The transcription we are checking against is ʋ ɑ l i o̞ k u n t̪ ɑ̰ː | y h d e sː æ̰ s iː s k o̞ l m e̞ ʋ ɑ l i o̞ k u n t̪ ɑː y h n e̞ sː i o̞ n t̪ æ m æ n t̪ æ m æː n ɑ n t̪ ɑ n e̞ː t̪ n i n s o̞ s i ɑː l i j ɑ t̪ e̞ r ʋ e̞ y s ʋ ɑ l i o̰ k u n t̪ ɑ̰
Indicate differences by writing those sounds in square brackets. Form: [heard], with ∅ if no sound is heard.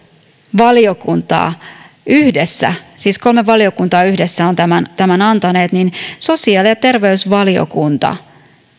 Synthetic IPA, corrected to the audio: ʋ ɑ l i o̞ k u n t̪ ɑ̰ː | y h d e sː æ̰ s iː s k o̞ l m e̞ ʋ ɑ l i o̞ k u n t̪ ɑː y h [d] e̞ sː [æ] o̞ n t̪ æ m æ n t̪ æ m [æ] n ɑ n t̪ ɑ n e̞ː t̪ n i n s o̞ s i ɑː l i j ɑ t̪ e̞ r ʋ e̞ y s ʋ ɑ l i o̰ k u n t̪ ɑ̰